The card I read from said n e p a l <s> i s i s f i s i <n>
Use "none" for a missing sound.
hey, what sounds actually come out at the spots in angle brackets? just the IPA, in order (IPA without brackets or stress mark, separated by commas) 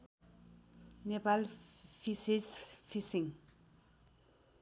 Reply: f, ŋ